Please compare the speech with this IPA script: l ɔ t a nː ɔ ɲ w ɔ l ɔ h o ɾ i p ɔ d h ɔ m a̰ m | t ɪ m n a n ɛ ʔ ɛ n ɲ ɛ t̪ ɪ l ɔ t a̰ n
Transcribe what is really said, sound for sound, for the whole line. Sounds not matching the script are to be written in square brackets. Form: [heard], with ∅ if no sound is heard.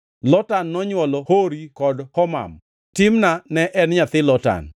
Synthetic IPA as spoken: l ɔ t a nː ɔ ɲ w ɔ l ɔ h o ɾ i [k] ɔ d h ɔ m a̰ m | t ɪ m n a n ɛ ʔ ɛ n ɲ [a] t̪ ɪ l ɔ t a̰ n